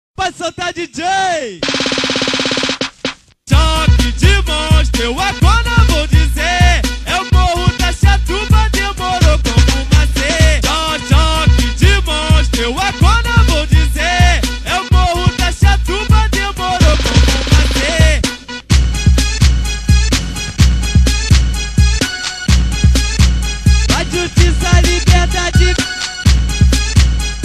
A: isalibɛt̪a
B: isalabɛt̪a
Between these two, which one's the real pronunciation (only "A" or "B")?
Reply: A